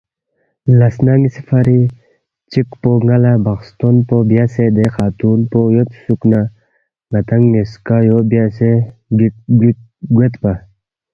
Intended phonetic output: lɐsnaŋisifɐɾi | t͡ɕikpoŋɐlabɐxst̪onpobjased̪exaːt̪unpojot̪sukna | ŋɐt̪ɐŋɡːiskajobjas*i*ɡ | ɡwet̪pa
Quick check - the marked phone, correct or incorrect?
incorrect: e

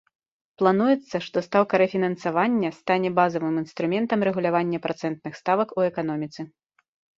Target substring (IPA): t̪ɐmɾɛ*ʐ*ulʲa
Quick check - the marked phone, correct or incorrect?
incorrect: ɣ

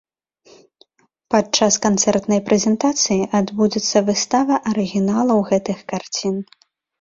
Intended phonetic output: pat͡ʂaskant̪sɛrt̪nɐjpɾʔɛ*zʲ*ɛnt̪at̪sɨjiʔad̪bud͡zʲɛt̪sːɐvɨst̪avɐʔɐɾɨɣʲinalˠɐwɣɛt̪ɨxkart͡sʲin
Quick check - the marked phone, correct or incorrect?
correct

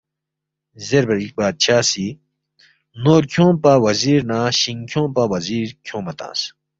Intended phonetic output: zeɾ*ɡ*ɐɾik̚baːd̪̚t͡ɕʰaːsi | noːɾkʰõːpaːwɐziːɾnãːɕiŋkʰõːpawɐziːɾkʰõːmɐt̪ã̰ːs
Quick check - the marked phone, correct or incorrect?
incorrect: b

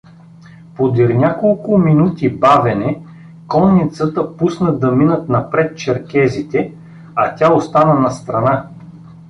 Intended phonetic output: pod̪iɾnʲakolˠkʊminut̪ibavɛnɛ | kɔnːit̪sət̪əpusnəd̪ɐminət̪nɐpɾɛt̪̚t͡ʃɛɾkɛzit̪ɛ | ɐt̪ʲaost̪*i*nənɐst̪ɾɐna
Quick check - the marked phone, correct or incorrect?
incorrect: a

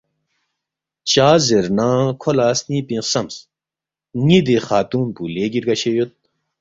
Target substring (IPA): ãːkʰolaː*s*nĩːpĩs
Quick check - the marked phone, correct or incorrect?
correct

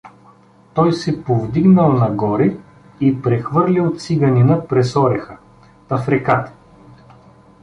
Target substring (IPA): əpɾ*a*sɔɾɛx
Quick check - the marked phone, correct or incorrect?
incorrect: ɛ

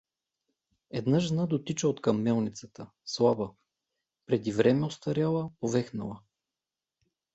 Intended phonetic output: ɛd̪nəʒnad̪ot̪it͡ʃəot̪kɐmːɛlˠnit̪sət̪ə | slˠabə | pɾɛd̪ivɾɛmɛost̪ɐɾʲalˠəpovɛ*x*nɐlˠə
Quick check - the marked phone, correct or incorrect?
correct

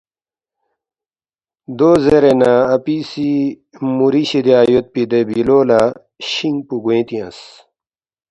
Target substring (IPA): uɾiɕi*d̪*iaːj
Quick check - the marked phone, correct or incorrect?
correct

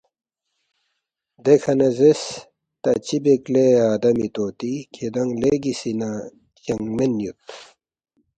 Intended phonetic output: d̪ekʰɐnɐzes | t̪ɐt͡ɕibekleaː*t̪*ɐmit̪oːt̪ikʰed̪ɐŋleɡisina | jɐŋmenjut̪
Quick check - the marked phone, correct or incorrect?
incorrect: d̪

